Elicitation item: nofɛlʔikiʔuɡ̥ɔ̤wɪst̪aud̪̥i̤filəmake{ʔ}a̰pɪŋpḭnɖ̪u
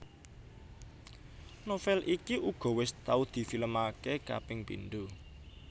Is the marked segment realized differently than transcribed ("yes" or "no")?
yes